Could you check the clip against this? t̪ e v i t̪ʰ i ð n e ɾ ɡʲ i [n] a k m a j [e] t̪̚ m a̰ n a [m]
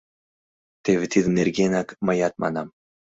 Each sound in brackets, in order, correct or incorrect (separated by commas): correct, incorrect, correct